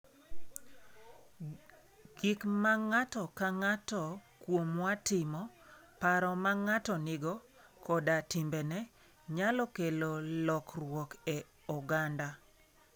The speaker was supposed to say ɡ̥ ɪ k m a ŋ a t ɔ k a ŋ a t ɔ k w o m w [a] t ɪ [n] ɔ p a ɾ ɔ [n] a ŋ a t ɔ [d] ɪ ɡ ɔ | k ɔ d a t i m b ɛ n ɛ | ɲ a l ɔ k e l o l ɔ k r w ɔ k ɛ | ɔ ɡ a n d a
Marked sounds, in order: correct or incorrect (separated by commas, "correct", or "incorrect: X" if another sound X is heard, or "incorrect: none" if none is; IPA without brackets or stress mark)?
correct, incorrect: m, incorrect: m, incorrect: n